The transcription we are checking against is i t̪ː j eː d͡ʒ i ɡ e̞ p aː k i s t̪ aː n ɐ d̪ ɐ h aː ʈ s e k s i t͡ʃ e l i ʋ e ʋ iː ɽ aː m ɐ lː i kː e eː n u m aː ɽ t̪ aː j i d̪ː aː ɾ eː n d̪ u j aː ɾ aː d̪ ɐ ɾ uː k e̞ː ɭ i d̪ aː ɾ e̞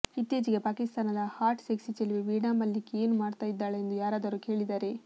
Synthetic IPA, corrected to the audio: i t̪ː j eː d͡ʒ i ɡ e̞ p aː k i s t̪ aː n ɐ d̪ ɐ h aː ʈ s e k s i t͡ʃ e l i ʋ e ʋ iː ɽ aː m ɐ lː i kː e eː n u m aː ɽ t̪ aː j i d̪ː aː ɭ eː n d̪ u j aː ɾ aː d̪ ɐ ɾ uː k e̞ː ɭ i d̪ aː ɾ e̞